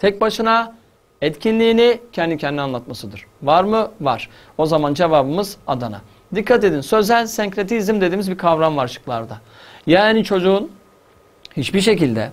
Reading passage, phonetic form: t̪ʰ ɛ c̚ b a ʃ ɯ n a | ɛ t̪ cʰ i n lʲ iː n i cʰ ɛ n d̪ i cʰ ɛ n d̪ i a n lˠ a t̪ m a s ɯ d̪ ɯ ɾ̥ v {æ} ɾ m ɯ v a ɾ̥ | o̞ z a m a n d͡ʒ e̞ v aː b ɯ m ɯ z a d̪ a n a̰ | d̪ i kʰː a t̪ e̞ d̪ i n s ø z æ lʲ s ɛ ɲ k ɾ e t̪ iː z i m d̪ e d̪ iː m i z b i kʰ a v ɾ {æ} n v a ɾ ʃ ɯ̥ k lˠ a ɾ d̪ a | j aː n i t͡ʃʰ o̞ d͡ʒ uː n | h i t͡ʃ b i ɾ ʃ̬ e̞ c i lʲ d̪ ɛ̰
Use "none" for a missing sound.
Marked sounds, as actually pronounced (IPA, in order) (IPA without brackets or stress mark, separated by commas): a, a